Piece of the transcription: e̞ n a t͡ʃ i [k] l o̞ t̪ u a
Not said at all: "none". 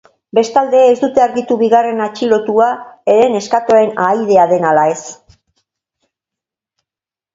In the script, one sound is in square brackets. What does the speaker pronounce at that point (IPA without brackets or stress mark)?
none